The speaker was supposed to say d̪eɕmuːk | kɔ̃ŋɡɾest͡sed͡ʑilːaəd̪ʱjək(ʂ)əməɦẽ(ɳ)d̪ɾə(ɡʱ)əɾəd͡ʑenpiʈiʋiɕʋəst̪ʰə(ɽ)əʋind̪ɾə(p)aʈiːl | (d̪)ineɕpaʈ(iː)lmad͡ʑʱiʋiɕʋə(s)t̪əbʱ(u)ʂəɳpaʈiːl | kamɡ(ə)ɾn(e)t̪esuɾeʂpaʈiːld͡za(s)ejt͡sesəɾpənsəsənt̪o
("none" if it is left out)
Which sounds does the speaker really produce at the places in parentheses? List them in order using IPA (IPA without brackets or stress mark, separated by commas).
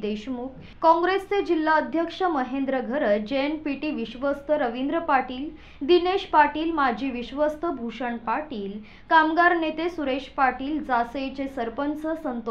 ʂ, n, ɡʱ, ɾ, p, d̪, iː, s, u, a, e, s